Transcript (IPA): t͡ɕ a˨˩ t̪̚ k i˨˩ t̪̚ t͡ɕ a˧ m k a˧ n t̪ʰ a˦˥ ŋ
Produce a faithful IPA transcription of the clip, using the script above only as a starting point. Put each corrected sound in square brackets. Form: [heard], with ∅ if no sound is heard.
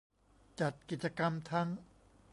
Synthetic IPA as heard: t͡ɕ a˨˩ t̪̚ k i˨˩ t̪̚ t͡ɕ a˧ [∅] k a˧ [m] t̪ʰ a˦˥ ŋ